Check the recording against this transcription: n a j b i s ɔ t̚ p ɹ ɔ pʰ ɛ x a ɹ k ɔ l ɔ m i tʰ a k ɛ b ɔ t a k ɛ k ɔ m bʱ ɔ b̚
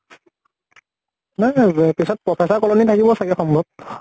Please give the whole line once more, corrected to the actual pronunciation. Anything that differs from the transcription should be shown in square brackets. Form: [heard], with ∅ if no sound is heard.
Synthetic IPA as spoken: n a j [p] i s ɔ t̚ p ɹ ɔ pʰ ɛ [s] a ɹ k ɔ l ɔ [n] i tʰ a k [i] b ɔ [s] a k ɛ [x] ɔ m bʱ ɔ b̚